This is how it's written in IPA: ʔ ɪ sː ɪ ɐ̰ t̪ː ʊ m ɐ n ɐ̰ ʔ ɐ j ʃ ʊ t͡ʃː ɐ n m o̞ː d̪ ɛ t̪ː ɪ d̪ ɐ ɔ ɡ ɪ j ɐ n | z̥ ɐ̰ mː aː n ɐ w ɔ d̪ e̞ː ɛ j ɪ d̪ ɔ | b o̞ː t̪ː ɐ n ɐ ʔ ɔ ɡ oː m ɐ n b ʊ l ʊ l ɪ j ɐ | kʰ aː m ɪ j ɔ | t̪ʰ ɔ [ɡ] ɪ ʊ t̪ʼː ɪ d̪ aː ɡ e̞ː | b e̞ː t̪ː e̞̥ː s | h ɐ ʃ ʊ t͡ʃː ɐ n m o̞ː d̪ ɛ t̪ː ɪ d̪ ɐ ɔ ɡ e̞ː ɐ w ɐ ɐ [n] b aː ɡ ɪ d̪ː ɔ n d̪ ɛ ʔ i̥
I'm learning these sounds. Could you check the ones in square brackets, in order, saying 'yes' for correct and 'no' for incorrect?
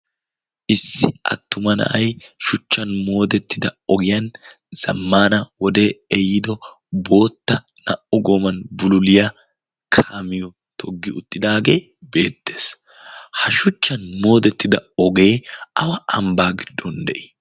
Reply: no, no

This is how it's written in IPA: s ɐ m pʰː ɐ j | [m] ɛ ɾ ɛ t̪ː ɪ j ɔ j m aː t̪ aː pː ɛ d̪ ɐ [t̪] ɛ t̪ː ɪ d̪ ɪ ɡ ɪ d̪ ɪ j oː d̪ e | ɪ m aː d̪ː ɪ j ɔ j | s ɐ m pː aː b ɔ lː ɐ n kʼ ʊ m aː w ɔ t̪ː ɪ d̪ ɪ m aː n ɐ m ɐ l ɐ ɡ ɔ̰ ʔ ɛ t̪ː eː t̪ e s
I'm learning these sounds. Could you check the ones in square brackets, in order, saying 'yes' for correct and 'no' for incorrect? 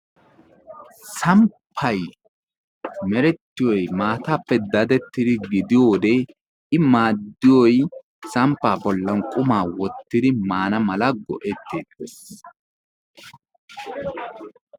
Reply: yes, no

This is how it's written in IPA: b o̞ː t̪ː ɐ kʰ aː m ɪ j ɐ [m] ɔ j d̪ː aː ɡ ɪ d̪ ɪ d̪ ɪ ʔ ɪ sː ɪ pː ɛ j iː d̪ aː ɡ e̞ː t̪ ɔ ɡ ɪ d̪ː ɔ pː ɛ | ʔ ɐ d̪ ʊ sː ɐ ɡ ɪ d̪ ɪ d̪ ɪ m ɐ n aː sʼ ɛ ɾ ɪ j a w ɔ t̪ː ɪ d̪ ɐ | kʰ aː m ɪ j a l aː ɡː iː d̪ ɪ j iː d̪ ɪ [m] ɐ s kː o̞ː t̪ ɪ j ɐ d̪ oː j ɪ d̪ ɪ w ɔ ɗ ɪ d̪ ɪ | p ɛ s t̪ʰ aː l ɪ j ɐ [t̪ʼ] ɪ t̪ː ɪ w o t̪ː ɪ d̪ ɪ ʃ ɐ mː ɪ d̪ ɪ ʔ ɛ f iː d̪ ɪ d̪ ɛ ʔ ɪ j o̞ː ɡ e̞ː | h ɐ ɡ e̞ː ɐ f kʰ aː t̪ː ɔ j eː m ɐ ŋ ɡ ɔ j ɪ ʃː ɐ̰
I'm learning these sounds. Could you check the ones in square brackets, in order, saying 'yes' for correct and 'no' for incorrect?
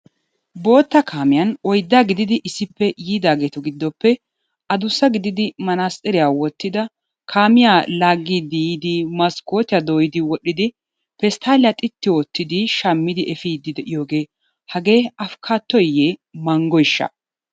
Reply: no, yes, yes

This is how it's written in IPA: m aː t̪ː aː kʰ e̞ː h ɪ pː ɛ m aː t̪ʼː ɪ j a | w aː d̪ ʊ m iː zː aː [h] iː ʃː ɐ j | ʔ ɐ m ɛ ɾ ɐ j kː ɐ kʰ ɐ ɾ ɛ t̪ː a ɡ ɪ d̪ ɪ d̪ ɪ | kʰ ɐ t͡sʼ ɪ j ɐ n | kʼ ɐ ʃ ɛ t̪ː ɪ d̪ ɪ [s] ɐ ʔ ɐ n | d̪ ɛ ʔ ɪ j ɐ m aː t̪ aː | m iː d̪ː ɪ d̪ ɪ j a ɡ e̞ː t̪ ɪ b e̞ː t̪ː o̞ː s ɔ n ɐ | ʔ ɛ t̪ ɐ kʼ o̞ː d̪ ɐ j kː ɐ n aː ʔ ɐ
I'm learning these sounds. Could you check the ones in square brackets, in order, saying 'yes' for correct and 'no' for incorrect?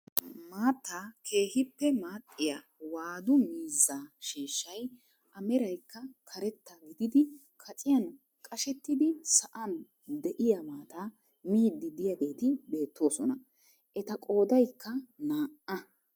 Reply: no, yes

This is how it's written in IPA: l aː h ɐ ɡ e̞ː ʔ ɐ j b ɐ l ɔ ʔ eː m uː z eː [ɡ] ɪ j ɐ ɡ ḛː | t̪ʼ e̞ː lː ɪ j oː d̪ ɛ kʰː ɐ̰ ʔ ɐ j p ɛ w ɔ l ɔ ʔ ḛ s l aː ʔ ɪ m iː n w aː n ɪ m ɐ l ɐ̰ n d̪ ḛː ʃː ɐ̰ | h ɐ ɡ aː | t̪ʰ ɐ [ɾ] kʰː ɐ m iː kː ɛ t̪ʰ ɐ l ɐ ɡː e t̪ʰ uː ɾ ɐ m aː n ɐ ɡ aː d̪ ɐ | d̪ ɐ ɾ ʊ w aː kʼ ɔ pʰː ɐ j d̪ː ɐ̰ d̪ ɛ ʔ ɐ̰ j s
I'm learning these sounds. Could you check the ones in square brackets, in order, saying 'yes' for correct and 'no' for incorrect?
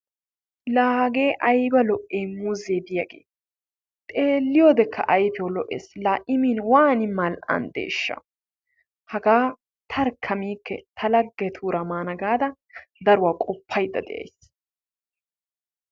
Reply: no, yes

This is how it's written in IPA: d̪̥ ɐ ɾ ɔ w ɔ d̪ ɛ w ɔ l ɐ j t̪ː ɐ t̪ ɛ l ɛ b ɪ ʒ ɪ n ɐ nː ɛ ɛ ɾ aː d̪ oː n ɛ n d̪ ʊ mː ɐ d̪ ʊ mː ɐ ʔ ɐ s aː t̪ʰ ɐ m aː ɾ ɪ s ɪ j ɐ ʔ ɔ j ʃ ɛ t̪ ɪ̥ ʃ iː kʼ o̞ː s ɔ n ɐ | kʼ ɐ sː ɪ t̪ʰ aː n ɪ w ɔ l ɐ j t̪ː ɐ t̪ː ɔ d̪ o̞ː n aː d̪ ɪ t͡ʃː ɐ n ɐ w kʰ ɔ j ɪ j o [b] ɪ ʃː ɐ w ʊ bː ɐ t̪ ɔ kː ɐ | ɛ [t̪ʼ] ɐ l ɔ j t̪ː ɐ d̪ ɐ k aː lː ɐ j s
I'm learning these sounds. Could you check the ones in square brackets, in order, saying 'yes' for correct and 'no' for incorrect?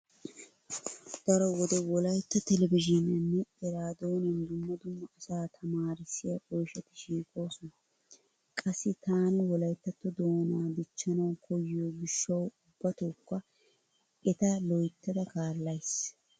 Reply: no, no

